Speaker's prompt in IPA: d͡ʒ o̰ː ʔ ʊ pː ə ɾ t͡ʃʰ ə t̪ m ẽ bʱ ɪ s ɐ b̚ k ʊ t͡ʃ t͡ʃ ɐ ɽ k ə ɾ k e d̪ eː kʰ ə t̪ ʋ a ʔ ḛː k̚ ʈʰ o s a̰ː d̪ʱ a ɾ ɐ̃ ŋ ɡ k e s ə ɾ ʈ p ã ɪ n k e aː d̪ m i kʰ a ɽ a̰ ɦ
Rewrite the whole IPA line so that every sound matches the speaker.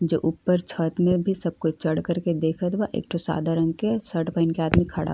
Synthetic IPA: d͡ʒ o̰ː ʔ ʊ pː ə ɾ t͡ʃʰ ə t̪ m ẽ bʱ i s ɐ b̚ k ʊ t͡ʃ t͡ʃ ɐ ɽ k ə ɾ k e d̪ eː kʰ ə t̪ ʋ a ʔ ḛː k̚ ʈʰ o s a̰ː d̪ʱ a ɾ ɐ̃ ŋ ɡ k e s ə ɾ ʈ p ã ɪ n k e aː d̪ m i kʰ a ɽ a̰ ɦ